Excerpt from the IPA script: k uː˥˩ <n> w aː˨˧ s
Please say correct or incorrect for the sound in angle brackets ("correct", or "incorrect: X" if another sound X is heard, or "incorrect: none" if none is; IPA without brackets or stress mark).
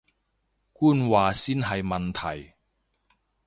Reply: correct